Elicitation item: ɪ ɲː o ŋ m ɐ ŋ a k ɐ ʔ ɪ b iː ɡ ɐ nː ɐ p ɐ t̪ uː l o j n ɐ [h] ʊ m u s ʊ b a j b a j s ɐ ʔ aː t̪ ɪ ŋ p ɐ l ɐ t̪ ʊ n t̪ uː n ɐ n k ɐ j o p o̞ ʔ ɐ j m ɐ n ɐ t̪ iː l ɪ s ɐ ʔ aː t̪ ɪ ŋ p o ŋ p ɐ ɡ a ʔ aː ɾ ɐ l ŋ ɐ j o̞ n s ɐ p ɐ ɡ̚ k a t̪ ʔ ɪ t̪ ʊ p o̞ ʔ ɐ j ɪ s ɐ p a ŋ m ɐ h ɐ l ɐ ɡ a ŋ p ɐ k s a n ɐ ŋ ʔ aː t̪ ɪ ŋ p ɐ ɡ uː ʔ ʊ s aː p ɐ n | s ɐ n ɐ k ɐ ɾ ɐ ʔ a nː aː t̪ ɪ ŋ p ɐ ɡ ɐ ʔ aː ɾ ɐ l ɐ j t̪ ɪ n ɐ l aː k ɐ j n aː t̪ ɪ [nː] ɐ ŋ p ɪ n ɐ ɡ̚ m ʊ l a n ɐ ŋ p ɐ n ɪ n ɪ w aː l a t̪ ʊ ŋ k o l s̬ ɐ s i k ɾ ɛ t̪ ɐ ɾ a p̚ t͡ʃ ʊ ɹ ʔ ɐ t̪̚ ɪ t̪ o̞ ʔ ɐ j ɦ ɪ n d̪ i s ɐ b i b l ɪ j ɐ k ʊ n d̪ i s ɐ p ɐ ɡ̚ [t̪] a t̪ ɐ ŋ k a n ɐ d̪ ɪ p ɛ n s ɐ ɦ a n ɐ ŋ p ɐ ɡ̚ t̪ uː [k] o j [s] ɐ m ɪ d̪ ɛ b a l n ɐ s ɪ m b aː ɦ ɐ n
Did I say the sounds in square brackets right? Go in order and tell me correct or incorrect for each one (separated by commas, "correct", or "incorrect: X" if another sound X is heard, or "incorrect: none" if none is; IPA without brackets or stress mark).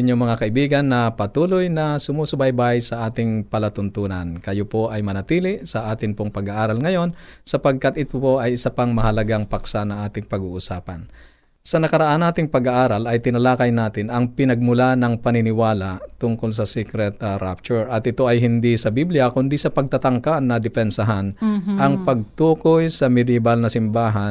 incorrect: s, incorrect: n, correct, correct, correct